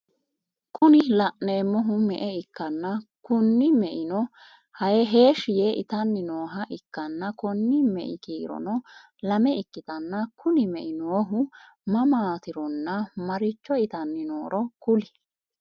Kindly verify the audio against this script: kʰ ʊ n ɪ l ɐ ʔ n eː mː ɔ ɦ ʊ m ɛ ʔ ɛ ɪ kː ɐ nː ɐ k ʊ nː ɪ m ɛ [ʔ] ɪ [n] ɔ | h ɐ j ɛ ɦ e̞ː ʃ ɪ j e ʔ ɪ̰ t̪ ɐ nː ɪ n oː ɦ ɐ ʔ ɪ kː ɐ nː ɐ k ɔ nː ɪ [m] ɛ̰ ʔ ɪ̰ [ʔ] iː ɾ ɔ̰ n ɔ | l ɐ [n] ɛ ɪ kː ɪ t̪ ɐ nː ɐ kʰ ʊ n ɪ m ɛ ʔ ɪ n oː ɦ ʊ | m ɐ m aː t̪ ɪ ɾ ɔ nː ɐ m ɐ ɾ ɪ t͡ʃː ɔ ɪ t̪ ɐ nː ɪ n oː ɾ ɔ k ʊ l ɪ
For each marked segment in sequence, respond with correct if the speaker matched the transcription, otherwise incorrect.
correct, correct, correct, incorrect: k, incorrect: m

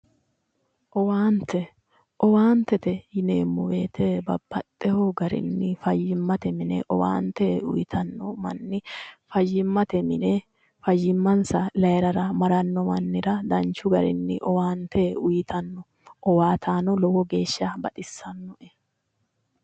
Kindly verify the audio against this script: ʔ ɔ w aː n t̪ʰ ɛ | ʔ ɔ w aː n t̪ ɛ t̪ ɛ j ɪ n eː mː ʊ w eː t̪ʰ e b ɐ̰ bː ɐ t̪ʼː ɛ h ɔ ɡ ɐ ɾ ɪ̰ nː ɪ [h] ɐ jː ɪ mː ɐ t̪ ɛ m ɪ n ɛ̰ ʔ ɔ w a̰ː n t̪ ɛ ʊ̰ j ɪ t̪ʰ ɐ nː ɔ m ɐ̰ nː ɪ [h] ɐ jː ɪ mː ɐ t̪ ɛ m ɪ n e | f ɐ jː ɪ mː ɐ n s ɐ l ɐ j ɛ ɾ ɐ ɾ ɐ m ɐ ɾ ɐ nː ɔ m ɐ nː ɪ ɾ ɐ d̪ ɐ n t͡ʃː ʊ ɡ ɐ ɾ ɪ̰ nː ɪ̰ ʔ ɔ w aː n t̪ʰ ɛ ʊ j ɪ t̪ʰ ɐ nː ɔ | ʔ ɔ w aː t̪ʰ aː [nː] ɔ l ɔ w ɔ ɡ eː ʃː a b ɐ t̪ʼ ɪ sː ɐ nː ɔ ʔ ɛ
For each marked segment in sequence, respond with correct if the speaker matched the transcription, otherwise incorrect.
incorrect: f, incorrect: f, incorrect: n

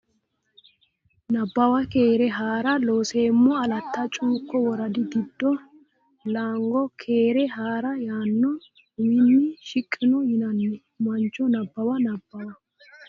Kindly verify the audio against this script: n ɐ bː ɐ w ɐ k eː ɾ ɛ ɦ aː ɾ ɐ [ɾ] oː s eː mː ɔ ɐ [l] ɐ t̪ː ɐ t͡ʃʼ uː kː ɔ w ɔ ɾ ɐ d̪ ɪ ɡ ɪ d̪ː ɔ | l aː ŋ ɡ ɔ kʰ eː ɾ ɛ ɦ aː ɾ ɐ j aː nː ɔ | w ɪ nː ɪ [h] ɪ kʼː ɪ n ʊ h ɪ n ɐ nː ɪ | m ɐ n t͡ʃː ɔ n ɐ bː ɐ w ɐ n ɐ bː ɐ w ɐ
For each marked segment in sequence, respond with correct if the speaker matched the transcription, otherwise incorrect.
incorrect: l, correct, incorrect: ʃ

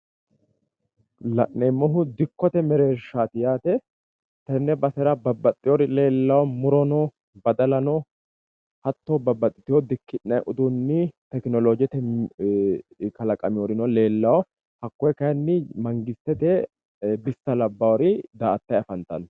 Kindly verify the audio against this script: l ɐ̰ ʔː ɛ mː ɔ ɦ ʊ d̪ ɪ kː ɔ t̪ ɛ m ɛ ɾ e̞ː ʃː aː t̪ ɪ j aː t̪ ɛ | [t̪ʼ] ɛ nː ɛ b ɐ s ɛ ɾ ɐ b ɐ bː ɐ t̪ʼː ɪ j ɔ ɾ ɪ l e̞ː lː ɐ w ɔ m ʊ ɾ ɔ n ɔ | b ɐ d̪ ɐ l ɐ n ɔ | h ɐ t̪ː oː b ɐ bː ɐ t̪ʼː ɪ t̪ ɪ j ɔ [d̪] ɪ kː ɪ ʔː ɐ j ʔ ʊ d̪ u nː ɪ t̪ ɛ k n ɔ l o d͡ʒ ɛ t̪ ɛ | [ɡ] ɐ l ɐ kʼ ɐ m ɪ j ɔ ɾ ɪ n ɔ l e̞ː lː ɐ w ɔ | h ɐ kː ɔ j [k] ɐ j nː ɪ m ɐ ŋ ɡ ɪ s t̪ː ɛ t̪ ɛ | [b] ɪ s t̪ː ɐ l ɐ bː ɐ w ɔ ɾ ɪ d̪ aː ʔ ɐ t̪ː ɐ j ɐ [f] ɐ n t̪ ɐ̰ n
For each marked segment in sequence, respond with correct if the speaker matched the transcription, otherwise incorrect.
incorrect: t̪, correct, incorrect: k, correct, correct, correct

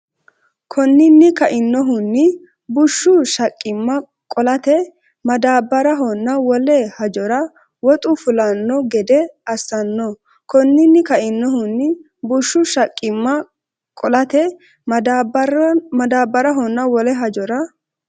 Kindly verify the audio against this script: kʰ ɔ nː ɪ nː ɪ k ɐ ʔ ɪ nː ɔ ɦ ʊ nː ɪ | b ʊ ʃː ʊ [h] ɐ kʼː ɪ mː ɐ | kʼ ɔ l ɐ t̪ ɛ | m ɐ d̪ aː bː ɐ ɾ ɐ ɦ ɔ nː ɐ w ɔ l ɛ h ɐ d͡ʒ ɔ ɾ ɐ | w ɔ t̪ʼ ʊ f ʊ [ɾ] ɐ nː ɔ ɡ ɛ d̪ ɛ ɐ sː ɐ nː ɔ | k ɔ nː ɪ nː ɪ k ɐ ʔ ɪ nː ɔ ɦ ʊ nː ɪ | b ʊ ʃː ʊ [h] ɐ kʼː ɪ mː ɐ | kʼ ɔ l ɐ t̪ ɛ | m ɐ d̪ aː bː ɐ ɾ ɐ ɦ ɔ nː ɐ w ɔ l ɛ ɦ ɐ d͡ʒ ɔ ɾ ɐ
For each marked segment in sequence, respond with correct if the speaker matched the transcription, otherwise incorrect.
incorrect: ʃ, incorrect: l, incorrect: ʃ

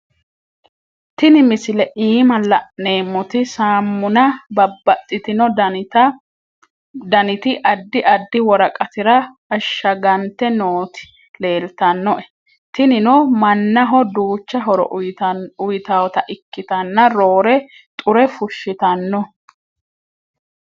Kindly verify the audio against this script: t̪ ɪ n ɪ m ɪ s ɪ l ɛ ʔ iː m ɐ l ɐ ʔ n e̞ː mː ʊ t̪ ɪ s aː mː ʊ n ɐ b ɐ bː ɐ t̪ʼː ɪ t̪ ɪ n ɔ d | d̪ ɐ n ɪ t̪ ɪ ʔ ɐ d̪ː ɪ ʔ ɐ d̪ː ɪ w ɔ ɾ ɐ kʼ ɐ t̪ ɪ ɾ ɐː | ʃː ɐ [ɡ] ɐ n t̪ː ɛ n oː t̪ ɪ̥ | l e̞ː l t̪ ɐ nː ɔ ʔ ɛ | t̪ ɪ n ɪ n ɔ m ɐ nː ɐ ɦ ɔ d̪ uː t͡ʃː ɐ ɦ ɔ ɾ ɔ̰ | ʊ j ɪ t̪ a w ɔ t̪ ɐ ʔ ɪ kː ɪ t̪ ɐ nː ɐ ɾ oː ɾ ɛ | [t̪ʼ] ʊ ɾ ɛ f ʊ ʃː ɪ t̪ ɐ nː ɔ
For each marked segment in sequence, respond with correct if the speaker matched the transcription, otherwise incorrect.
correct, correct

